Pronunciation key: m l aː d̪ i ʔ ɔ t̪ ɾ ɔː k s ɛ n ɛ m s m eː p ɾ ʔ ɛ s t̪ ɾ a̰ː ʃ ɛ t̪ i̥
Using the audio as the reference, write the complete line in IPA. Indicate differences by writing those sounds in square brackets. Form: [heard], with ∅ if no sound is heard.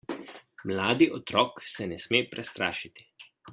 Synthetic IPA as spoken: m l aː d̪ i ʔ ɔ t̪ ɾ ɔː k s ɛ n ɛ [∅] s m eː p ɾ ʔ ɛ s t̪ ɾ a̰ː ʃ [i] t̪ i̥